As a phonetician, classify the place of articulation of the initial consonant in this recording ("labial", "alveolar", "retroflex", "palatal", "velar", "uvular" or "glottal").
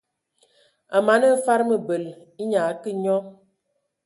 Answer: labial